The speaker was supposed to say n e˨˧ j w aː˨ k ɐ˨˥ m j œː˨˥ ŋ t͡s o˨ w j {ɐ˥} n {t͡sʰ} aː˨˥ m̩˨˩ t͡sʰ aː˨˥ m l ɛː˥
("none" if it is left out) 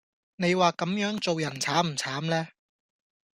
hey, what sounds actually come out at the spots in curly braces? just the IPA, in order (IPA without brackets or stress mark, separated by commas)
ɐ˨˩, t͡sʰ